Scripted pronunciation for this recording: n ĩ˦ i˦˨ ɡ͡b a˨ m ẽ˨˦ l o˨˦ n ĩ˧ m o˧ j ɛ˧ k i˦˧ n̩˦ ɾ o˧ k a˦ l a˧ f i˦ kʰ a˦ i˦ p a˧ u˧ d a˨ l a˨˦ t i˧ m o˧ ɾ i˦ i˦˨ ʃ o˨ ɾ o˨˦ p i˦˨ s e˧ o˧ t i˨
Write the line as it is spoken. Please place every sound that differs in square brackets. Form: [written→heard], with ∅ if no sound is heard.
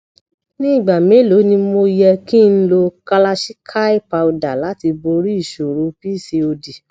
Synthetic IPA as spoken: n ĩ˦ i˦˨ ɡ͡b a˨ m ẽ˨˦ l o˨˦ n ĩ˧ m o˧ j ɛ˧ k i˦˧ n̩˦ [ɾ→l] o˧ k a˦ l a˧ [f→ʃ] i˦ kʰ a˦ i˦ p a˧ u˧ d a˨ l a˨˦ t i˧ [m→b] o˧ ɾ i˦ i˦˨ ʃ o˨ ɾ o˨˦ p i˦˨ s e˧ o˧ [t→d] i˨

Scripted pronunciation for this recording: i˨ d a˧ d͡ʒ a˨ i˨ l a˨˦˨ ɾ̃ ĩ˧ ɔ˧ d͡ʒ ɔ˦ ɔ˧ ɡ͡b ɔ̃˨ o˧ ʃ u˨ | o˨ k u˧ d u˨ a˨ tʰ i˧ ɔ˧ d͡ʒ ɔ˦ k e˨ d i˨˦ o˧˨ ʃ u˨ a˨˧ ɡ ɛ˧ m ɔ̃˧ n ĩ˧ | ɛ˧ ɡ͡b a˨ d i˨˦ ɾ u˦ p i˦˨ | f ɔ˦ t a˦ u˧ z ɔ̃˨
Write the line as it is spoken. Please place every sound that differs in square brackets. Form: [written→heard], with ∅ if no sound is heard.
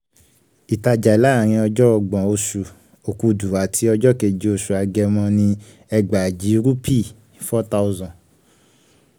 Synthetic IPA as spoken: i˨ [d→t] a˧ d͡ʒ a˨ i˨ l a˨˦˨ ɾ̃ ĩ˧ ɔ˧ d͡ʒ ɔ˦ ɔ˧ ɡ͡b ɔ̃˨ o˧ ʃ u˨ | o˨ k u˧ d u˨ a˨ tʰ i˧ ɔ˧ d͡ʒ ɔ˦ k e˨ [d→d͡ʒ] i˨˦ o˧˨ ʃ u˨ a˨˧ ɡ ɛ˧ m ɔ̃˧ n ĩ˧ | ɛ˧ ɡ͡b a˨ [d→d͡ʒ] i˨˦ ɾ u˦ p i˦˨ | f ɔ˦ t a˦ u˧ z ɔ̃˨

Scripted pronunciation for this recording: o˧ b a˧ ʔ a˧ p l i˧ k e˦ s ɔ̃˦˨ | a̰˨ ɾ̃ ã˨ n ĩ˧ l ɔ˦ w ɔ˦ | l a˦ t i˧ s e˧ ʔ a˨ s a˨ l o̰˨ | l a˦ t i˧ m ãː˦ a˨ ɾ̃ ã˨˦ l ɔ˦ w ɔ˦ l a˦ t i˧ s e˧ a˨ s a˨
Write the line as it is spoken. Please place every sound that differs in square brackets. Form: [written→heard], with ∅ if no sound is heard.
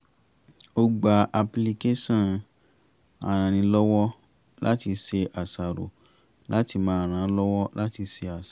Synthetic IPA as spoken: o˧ [b→ɡ͡b] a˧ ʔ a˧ p l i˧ k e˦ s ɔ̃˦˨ | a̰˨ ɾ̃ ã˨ n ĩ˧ l ɔ˦ w ɔ˦ | l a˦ t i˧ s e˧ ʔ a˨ s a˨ [l→ɾ] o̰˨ | l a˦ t i˧ m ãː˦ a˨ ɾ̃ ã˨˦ l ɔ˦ w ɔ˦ l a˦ t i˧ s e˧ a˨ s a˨

